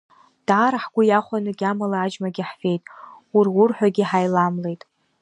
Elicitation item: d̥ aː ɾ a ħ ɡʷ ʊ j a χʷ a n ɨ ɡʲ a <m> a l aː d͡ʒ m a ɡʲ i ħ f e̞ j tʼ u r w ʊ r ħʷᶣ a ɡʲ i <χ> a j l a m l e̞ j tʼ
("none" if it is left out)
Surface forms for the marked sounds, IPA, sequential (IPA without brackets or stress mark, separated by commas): m, ħ